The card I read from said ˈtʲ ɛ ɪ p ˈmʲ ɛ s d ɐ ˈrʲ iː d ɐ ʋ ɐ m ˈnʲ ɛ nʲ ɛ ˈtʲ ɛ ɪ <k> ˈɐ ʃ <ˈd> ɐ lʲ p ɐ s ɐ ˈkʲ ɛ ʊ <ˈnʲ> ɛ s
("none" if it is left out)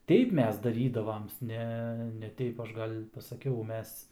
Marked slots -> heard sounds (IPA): p, ɡ, mʲ

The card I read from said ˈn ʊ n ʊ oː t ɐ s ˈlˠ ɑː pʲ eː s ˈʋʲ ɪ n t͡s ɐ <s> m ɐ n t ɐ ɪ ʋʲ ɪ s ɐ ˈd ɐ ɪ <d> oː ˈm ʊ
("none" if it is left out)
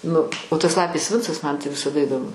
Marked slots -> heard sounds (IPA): s, d

